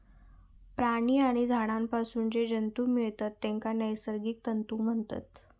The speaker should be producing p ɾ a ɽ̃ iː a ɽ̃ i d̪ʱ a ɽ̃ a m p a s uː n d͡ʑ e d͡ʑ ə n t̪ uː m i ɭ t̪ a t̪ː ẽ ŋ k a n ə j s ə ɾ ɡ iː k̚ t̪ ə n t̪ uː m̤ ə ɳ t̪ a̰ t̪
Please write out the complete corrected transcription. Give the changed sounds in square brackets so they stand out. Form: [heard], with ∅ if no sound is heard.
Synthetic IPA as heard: p ɾ a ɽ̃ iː a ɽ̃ i d̪ʱ a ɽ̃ a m p a s uː n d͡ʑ e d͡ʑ ə n t̪ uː m i ɭ t̪ a t̪ː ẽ ŋ k a n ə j s ə ɾ ɡ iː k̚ t̪ ə n t̪ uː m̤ ə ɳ t̪ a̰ t̪